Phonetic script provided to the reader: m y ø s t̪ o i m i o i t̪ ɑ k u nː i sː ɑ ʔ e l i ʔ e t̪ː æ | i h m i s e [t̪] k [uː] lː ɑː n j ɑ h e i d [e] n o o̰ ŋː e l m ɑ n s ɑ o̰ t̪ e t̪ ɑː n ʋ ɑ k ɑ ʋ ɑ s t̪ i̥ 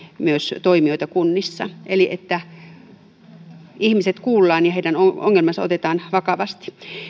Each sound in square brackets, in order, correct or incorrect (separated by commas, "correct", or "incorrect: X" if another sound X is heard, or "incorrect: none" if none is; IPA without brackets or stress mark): correct, correct, incorrect: æ